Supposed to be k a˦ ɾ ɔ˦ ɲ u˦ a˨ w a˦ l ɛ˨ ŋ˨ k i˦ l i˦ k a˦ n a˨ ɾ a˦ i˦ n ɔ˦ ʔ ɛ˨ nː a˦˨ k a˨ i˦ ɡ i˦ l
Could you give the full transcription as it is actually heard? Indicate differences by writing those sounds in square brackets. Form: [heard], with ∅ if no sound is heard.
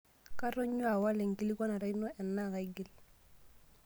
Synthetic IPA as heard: k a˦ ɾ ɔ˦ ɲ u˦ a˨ w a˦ l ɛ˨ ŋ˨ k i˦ l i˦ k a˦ n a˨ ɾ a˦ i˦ n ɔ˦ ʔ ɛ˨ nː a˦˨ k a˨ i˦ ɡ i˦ l